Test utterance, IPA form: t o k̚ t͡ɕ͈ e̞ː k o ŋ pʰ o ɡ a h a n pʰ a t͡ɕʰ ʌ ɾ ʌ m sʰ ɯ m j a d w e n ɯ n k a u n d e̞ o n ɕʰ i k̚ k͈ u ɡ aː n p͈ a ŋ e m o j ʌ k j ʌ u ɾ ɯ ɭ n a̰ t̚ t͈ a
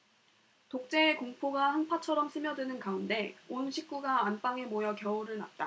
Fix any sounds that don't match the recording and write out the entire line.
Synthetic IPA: t o k̚ t͡ɕ͈ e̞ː k o ŋ pʰ o ɡ a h a n pʰ a t͡ɕʰ ʌ ɾ ʌ m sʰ ɯ m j ʌ d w e n ɯ n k a u n d e̞ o n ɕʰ i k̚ k͈ u ɡ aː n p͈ a ŋ e m o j ʌ k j ʌ u ɾ ɯ ɭ n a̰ t̚ t͈ a

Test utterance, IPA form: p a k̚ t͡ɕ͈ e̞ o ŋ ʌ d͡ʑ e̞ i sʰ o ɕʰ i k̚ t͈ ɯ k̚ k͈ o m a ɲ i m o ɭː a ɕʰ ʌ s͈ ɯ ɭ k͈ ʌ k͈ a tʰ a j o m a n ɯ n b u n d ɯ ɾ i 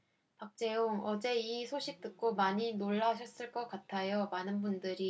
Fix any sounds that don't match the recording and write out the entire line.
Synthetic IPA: p a k̚ t͡ɕ͈ e̞ o ŋ ʌ d͡ʑ e̞ i sʰ o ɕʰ i k̚ t͈ ɯ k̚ k͈ o m a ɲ i n o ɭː a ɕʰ ʌ s͈ ɯ ɭ k͈ ʌ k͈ a tʰ a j o m a n ɯ n b u n d ɯ ɾ i

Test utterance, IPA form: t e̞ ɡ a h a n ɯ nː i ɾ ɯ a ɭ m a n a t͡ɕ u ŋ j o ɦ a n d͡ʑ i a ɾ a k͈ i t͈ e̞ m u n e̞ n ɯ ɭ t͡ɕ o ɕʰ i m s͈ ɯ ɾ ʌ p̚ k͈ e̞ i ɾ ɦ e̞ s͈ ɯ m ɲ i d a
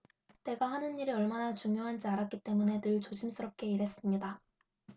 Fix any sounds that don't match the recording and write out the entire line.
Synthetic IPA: t e̞ ɡ a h a n ɯ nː i ɾ ɯ ʌ ɭ m a n a t͡ɕ u ŋ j o ɦ a n d͡ʑ i a ɾ a k͈ i t͈ e̞ m u n e̞ n ɯ ɭ t͡ɕ o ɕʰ i m s͈ ɯ ɾ ʌ p̚ k͈ e̞ i ɾ ɦ e̞ s͈ ɯ m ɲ i d a

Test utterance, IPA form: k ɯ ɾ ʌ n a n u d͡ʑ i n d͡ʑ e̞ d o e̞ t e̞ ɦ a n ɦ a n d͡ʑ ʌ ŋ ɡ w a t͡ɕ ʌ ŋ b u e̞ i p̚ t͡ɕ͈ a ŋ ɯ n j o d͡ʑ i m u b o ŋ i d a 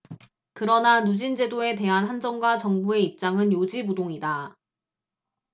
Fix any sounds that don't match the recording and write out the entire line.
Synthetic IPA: k ɯ ɾ ʌ n a n u d͡ʑ i n d͡ʑ e̞ d o e̞ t e̞ ɦ a n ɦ a n d͡ʑ ʌ ŋ ɡ w a t͡ɕ ʌ ŋ b u e̞ i p̚ t͡ɕ͈ a ŋ ɯ n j o d͡ʑ i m u d o ŋ i d a

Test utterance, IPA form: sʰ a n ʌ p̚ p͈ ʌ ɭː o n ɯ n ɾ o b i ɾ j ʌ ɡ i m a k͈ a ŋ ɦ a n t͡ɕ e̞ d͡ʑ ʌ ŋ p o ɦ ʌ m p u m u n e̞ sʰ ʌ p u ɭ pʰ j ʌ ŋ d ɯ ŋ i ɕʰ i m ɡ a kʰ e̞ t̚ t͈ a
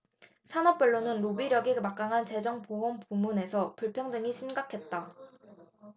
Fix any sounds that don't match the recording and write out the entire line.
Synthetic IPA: sʰ a n ʌ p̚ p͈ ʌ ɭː o n ɯ n ɾ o b i ɾ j ʌ ɡ i m a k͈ a ŋ ɦ a n t͡ɕ e̞ d͡ʑ ʌ ŋ p o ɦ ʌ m p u m u n e̞ sʰ ʌ p u ɭ pʰ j ʌ ŋ d ɯ ŋ i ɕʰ i m ɡ a kʰ e̞ t̚ t͈ a

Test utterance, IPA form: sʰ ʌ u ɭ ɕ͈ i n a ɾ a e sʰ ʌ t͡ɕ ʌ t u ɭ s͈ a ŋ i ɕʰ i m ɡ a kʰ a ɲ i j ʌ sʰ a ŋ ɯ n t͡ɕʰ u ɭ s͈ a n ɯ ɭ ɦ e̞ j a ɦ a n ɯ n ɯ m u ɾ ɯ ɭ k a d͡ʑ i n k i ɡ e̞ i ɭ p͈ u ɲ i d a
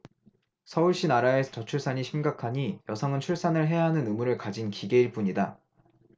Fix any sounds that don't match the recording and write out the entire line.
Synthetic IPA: sʰ ʌ u ɭ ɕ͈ i n a ɾ a e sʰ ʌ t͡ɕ ʌ t͡ɕʰ u ɭ s͈ a ɲ i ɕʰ i m ɡ a kʰ a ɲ i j ʌ sʰ ʌ ŋ ɯ n t͡ɕʰ u ɭ s͈ a n ɯ ɭ ɦ e̞ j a ɦ a n ɯ n ɯ m u ɾ ɯ ɭ k a d͡ʑ i n k i ɡ e̞ i ɭ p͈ u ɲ i d a

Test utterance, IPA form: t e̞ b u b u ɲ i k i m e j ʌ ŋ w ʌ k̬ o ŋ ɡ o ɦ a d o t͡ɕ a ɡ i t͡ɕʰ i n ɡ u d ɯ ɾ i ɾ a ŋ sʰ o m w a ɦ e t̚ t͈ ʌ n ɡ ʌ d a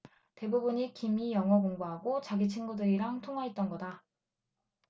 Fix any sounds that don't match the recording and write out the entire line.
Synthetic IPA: t e̞ b u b u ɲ i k i m i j ʌ ŋ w ʌ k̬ o ŋ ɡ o ɦ a ɡ o t͡ɕ a ɡ i t͡ɕʰ i n ɡ u d ɯ ɾ i ɾ a ŋ tʰ o ŋ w a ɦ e t̚ t͈ ʌ n ɡ ʌ d a

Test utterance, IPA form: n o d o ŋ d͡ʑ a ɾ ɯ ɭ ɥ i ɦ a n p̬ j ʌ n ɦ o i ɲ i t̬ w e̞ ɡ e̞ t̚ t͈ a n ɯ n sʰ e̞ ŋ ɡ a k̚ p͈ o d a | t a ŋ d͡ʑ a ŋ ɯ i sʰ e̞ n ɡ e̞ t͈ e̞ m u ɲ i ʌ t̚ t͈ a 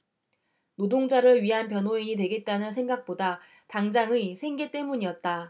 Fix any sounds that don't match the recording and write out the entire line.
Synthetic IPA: n o d o ŋ d͡ʑ a ɾ ɯ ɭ ɥ i ɦ a n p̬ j ʌ n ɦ o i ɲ i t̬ w e̞ ɡ e̞ t̚ t͈ a n ɯ n sʰ e̞ ŋ ɡ a k̚ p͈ o d a | t a ŋ d͡ʑ a ŋ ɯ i sʰ e̞ ŋ ɡ e̞ t͈ e̞ m u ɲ i ʌ t̚ t͈ a

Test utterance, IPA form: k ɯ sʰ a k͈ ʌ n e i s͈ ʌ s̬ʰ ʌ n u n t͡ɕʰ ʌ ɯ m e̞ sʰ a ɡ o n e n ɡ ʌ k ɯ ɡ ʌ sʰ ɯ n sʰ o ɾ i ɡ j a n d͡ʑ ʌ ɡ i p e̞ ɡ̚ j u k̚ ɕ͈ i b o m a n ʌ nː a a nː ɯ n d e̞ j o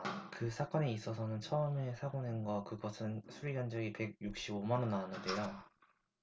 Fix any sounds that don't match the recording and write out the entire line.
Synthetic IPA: k ɯ sʰ a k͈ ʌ n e i s͈ ʌ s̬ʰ ʌ n ɯ n t͡ɕʰ ʌ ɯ m e̞ sʰ a ɡ o n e n ɡ ʌ k ɯ ɡ ʌ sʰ ɯ n sʰ u ɾ i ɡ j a n d͡ʑ ʌ ɡ i p e̞ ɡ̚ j u k̚ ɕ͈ i b o m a n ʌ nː a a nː ɯ n d e̞ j o

